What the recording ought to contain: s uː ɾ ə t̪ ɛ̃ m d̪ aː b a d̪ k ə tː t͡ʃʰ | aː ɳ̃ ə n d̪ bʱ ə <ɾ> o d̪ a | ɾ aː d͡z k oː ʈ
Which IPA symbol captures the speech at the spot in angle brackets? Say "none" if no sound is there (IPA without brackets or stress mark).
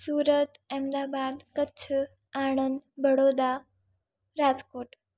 ɽ